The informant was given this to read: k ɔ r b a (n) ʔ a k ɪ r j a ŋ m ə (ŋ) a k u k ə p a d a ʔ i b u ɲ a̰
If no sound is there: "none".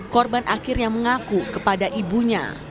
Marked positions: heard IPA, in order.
n, ŋ

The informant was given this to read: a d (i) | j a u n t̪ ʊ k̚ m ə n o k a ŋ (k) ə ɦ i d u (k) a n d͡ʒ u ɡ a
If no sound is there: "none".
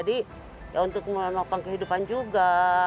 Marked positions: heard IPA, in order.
i, k, p

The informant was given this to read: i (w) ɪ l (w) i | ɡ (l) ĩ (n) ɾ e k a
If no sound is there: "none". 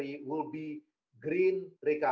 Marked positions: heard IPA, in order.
w, b, ɾ, n

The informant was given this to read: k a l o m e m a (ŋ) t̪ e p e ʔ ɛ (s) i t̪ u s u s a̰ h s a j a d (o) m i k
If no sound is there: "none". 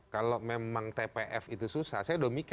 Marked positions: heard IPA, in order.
ŋ, f, o

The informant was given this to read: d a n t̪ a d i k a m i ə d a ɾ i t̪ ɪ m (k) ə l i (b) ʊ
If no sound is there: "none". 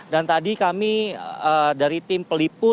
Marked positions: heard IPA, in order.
p, p

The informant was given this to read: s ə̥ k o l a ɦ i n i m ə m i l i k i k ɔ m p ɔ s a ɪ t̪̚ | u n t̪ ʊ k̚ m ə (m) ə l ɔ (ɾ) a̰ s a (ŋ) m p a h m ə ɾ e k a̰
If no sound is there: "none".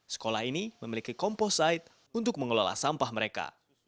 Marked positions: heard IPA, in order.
ŋ, l, none

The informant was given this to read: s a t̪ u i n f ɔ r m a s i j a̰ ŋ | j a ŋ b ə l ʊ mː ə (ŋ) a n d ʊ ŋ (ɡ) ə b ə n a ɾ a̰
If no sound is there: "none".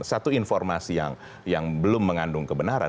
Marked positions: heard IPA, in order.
ŋ, k

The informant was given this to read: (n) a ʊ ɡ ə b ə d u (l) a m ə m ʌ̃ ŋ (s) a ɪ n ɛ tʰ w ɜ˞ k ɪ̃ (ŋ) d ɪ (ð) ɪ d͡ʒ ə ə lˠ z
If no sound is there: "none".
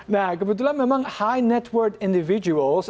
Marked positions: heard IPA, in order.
n, l, h, n, v

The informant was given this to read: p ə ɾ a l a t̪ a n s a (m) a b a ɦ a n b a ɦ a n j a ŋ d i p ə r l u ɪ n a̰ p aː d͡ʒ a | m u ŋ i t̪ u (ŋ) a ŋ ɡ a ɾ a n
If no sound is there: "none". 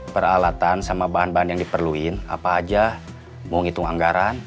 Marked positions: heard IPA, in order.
m, ŋ

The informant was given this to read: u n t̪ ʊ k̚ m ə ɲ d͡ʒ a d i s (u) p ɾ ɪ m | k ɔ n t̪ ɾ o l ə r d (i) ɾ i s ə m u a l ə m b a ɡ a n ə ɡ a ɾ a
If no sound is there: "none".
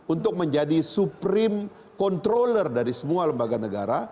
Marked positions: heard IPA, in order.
u, a

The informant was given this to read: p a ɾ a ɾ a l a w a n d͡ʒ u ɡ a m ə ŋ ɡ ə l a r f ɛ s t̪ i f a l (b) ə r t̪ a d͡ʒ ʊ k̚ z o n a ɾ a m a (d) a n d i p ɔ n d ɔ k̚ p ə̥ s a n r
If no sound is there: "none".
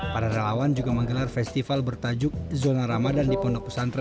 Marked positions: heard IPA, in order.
b, d

